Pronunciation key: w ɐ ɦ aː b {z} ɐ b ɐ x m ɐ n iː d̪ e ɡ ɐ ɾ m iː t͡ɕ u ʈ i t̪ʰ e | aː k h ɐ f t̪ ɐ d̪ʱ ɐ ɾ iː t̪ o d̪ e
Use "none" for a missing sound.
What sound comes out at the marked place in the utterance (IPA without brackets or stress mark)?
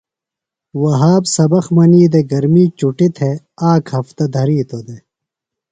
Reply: s